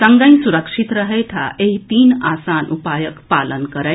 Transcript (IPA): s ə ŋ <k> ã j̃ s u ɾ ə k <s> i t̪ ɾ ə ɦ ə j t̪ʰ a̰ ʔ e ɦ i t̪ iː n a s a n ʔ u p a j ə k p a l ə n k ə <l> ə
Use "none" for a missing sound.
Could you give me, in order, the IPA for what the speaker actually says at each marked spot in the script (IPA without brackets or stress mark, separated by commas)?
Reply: ɡ, ʂ, ɾ